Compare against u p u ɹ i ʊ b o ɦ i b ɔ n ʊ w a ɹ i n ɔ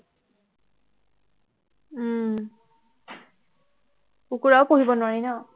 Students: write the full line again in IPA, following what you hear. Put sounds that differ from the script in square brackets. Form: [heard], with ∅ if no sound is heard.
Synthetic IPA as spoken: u [k] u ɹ [a] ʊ [p] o ɦ i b ɔ n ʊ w a ɹ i n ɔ